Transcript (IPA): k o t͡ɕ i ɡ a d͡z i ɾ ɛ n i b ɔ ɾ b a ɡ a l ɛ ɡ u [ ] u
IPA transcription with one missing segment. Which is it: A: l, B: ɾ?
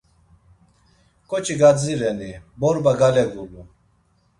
A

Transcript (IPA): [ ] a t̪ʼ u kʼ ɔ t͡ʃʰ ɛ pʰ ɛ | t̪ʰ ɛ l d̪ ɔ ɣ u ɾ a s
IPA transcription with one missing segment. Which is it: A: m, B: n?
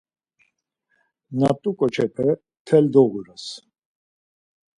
B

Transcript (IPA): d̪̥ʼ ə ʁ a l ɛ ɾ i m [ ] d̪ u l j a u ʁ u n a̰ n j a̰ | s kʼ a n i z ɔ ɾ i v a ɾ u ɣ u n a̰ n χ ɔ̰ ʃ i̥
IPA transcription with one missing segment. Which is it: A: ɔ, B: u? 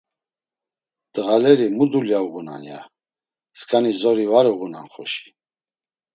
B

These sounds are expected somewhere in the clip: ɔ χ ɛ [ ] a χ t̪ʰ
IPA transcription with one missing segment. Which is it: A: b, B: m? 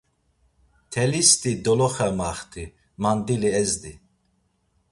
B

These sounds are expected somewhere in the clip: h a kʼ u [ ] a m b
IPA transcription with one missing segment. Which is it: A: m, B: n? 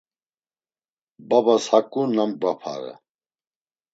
B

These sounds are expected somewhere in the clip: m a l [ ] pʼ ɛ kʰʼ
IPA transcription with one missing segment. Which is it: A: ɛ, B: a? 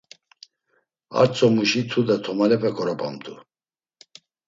A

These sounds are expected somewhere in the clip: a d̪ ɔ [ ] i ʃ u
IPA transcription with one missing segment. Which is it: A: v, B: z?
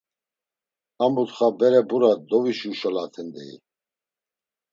A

